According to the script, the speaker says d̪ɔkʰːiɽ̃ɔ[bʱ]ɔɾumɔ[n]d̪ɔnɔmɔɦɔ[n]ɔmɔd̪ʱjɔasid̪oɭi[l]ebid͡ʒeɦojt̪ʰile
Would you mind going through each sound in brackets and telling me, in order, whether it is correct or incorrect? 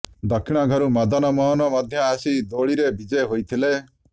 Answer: incorrect: ɡʱ, incorrect: none, correct, incorrect: ɾ

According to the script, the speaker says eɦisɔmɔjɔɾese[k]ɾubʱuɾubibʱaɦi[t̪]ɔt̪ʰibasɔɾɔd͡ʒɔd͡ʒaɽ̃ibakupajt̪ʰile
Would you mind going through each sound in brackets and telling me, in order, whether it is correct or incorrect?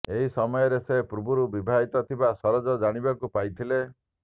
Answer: incorrect: p, correct

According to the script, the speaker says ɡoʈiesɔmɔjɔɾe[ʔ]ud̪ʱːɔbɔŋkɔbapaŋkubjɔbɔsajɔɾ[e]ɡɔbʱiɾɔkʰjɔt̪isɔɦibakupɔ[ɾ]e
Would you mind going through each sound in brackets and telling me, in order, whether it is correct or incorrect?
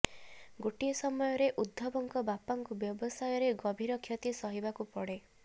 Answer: correct, correct, incorrect: ɽ

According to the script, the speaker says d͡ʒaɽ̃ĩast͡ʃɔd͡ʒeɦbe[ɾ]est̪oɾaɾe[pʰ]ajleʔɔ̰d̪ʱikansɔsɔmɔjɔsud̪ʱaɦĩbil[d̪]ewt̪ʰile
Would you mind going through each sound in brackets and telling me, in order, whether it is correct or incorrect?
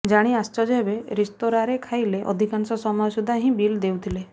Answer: correct, incorrect: kʰ, correct

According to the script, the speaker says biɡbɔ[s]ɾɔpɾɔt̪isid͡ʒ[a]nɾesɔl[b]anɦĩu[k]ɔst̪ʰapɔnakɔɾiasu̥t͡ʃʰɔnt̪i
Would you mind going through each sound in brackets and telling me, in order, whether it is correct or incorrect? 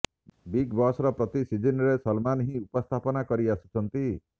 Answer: correct, incorrect: i, incorrect: m, incorrect: p

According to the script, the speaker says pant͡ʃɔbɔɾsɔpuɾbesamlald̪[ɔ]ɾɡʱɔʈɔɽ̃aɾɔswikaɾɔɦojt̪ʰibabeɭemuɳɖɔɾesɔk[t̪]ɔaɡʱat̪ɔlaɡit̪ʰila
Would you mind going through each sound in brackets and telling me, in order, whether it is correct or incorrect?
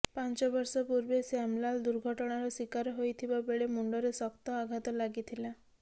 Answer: incorrect: u, correct

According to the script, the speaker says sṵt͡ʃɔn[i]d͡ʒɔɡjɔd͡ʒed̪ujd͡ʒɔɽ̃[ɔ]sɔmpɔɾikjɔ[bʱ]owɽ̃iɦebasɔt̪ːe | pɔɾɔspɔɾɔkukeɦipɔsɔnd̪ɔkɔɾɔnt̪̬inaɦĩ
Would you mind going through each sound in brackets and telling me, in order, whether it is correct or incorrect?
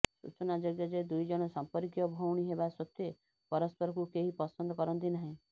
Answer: incorrect: a, correct, correct

